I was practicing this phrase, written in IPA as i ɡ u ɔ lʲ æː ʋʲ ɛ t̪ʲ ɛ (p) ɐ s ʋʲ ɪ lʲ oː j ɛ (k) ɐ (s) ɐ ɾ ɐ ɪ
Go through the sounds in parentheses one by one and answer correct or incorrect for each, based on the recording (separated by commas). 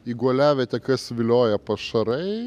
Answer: incorrect, incorrect, incorrect